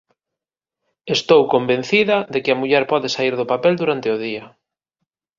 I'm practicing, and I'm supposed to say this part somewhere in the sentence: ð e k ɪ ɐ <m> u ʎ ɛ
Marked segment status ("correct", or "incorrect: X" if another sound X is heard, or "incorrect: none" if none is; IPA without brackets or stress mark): correct